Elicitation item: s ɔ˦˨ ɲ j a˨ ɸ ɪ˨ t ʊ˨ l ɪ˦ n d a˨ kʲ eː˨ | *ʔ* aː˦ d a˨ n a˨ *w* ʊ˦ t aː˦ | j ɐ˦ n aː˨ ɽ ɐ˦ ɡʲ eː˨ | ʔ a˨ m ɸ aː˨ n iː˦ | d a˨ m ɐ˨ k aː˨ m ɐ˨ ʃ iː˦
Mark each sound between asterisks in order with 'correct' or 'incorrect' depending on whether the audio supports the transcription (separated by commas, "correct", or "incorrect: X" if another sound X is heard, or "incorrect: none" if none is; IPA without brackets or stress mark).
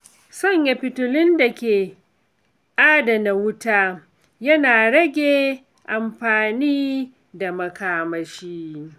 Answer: correct, correct